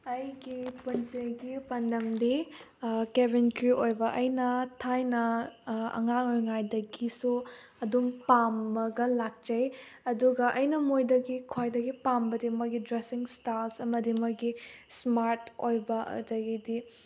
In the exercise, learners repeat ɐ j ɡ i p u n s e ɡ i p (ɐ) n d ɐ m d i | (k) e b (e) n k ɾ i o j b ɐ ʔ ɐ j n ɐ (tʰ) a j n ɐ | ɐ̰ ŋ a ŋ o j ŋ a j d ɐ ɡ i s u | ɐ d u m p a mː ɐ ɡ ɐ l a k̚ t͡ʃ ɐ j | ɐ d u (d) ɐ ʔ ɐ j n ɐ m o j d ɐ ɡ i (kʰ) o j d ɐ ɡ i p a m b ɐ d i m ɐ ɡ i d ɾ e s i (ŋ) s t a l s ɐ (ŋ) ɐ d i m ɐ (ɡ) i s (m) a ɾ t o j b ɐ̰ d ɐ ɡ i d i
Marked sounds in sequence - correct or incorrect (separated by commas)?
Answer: correct, correct, incorrect, correct, incorrect, correct, correct, incorrect, correct, correct